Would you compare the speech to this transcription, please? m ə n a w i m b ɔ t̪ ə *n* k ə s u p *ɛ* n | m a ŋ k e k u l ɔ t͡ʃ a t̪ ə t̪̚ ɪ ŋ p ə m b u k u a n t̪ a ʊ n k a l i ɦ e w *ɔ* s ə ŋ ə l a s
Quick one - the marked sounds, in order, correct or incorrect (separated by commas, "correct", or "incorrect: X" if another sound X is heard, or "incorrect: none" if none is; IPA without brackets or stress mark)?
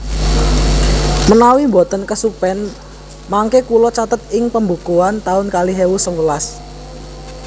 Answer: correct, correct, incorrect: u